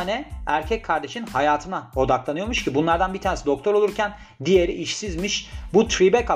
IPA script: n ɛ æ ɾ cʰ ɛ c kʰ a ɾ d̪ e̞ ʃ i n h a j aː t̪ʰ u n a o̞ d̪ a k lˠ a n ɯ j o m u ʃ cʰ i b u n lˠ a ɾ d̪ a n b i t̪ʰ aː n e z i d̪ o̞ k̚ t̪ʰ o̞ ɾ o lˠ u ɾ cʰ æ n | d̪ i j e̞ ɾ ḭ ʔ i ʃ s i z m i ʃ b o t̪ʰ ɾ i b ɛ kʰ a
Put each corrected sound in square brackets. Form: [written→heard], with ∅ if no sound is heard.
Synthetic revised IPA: n ɛ æ ɾ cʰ ɛ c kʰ a ɾ d̪ e̞ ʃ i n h a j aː t̪ʰ [u→ɯ] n a o̞ d̪ a k lˠ a n ɯ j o m u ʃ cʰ i b u n lˠ a ɾ d̪ a n b i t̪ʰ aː n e [z→s] i d̪ o̞ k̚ t̪ʰ o̞ ɾ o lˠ u ɾ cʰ æ n | d̪ i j e̞ ɾ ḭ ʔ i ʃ s i z m i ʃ b [o→u] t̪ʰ ɾ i b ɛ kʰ a